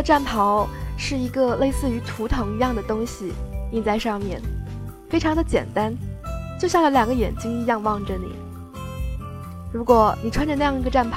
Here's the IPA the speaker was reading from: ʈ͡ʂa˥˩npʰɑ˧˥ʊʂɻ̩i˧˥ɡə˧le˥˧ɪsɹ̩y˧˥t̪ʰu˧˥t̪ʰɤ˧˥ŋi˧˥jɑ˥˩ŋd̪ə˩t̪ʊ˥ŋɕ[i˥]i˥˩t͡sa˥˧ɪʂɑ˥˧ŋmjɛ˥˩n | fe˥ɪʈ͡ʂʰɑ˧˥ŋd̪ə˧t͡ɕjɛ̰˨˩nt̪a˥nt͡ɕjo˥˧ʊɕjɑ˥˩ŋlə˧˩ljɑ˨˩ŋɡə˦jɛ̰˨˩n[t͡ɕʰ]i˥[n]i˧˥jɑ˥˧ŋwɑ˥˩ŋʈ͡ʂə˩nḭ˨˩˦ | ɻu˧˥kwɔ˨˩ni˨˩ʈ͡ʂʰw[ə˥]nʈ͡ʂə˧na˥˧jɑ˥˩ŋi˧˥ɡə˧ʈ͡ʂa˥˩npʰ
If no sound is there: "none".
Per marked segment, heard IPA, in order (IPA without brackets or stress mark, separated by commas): i˨, t͡ɕ, ŋ, a˥